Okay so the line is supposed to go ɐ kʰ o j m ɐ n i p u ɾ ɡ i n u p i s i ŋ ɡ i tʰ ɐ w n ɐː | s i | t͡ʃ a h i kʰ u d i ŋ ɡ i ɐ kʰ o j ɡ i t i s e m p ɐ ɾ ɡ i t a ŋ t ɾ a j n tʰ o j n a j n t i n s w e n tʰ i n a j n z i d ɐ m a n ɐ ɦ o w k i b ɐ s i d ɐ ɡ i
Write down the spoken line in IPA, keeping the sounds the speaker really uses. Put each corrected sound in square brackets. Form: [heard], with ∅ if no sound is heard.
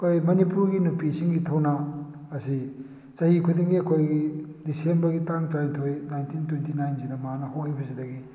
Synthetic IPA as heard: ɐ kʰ o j m ɐ n i p u ɾ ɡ i n u p i s i ŋ ɡ i tʰ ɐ w n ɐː | s i | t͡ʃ [ɐ] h i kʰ u d i ŋ ɡ i ɐ kʰ o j ɡ i [d] i s e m [b] ɐ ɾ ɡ i t a ŋ t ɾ a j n tʰ o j n a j n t i n [t] w e n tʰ i n a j n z i d ɐ m a n ɐ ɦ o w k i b ɐ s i d ɐ ɡ i